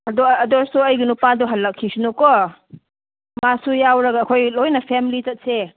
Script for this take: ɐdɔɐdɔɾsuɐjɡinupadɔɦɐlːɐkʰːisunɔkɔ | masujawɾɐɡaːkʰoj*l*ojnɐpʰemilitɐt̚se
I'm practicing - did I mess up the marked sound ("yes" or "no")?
no